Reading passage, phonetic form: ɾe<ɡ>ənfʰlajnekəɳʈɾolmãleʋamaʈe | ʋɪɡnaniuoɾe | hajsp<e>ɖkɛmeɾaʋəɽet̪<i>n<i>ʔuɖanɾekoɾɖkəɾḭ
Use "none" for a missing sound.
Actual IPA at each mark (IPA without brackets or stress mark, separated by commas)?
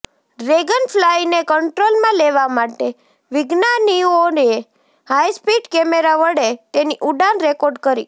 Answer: ɡ, i, e, i